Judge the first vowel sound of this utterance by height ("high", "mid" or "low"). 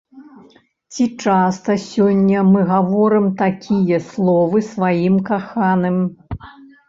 high